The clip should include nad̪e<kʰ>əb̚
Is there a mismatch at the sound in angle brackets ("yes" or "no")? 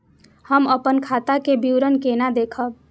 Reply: no